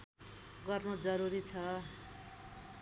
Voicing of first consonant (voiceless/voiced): voiced